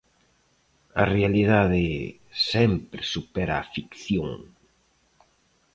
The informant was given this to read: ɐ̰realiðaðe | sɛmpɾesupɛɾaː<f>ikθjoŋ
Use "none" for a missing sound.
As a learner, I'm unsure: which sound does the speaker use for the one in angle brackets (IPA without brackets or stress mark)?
f